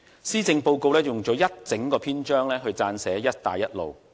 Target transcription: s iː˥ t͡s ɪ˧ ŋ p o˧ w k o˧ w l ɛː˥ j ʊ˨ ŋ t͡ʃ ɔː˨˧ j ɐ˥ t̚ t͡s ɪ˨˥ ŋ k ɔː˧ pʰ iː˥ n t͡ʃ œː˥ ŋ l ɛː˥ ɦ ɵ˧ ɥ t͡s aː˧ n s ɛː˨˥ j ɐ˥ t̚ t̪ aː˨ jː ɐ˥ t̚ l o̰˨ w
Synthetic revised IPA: s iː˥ t͡s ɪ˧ ŋ p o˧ w k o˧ w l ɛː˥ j ʊ˨ ŋ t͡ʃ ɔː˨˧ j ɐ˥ t̚ t͡s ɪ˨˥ ŋ k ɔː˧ pʰ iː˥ n t͡ʃ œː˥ ŋ l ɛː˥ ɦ ɵ˧ ɥ t͡s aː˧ n s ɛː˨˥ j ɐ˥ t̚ t̪ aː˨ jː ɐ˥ t̚ l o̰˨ w